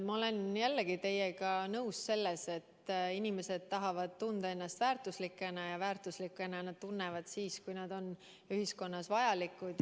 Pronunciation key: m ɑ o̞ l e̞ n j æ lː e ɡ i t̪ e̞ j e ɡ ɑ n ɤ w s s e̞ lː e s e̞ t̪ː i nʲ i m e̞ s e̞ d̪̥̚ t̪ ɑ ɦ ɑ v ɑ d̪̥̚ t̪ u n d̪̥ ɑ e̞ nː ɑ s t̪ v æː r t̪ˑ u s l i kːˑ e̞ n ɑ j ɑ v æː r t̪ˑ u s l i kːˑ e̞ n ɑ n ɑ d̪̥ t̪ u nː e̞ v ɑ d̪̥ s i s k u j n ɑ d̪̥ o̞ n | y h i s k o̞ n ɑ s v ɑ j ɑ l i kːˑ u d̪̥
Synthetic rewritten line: m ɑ o̞ l e̞ n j æ lː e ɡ i t̪ e̞ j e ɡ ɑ n ɤ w s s e̞ lː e s e̞ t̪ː i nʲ i m e̞ s e̞ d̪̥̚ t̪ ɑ ɦ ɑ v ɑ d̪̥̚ t̪ u n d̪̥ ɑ e̞ nː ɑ s t̪ v æː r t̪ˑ u s l i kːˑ e̞ n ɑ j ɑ v æː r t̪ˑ u s l i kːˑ e̞ n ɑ n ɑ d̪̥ t̪ u nː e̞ v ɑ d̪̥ s iː s k u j n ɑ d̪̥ o̞ n | y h i s k o̞ nː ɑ s v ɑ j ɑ l i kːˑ u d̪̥

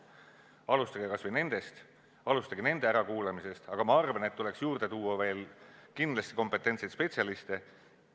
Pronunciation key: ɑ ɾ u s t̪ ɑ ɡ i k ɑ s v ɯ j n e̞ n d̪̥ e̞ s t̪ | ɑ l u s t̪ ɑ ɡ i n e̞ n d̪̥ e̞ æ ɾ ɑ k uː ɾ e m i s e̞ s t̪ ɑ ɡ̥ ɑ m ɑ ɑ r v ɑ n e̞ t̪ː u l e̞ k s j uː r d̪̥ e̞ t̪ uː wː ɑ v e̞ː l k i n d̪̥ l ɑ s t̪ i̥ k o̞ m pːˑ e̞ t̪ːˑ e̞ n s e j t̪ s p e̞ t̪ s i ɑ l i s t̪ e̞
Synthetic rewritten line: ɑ l u s t̪ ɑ ɡ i k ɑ s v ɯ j n e̞ n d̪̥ e̞ s t̪ | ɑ l u s t̪ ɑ ɡ i n e̞ n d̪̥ e̞ æ ɾ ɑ k uː l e m i s e̞ s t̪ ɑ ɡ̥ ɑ m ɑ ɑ r v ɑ n e̞ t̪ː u l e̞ k s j uː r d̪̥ e̞ t̪ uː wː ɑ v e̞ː l k i n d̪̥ l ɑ s t̪ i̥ k o̞ m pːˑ e̞ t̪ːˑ e̞ n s e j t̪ s p e̞ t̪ s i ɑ l i s t̪ e̞

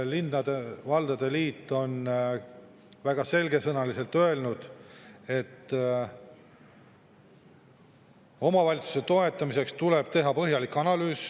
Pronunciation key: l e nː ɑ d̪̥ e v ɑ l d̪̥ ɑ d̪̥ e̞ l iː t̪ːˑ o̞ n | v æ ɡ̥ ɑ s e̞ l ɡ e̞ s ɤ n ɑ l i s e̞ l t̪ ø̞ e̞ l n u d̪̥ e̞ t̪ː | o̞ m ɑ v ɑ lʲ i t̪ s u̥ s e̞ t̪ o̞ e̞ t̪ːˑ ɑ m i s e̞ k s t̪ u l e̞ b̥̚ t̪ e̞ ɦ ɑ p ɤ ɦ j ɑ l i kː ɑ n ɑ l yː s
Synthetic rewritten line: l i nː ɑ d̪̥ e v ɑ l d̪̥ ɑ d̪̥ e̞ l iː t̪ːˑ o̞ n | v æ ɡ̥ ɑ s e̞ l ɡ e̞ s ɤ n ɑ l i s e̞ l t̪ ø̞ e̞ l n u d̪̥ e̞ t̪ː | o̞ m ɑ v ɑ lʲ i t̪ s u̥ s e̞ t̪ o̞ e̞ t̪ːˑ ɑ m i s e̞ k s t̪ u l e̞ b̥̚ t̪ e̞ ɦ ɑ p ɤ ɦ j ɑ l i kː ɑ n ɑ l yː s

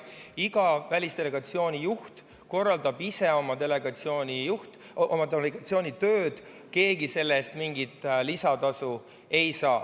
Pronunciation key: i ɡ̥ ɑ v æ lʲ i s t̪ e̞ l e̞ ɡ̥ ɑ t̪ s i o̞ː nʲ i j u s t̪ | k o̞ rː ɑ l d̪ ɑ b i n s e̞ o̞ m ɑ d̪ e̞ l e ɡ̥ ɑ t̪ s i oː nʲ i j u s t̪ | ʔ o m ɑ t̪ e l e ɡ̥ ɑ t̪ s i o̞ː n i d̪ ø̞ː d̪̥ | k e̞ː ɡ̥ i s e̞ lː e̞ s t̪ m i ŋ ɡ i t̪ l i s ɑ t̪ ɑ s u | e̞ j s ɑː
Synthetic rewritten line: i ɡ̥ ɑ v æ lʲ i s t̪ e̞ l e̞ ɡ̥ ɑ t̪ s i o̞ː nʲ i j u h t̪ | k o̞ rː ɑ l d̪ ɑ b i s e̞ o̞ m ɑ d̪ e̞ l e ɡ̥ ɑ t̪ s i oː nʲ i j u h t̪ | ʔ o m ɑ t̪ e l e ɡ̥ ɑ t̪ s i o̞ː n i t̪ ø̞ː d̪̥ | k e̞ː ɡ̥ i s e̞ lː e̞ s t̪ m i ŋ ɡ i t̪ l i s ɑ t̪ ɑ s u | e̞ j s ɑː

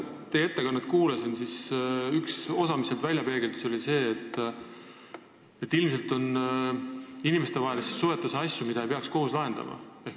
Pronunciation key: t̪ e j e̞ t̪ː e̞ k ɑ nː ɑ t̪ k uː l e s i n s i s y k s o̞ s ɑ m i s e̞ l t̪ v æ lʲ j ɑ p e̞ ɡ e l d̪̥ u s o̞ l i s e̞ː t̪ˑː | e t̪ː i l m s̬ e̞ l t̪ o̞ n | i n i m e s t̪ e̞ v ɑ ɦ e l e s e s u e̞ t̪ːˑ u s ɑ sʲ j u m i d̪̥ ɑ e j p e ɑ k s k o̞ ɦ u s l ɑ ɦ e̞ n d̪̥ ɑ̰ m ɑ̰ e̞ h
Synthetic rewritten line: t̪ e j e̞ t̪ː e̞ k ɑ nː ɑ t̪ k uː l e s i n s i s y k s o̞ s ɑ m i s e̞ l t̪ v æ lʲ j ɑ p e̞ ɡ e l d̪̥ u s o̞ l i s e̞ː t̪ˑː | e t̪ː i l m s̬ e̞ l t̪ o̞ n | i n i m e s t̪ e̞ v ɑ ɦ e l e s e s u e̞ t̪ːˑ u s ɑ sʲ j u m i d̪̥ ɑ e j p e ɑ k s k o̞ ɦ u s l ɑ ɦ e̞ n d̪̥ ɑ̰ m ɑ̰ e̞ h

